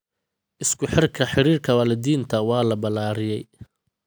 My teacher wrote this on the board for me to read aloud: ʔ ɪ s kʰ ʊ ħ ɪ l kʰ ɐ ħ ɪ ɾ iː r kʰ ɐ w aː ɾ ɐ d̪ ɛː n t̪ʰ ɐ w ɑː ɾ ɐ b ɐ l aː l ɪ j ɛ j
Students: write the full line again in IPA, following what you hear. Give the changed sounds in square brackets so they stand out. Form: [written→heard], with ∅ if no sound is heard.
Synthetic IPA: ʔ ɪ s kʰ ʊ ħ ɪ [l→r] kʰ ɐ ħ ɪ ɾ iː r kʰ ɐ w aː [ɾ→l] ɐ d̪ [ɛː→iː] n t̪ʰ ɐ w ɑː [ɾ→l] ɐ b ɐ l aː [l→ɾ] ɪ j ɛ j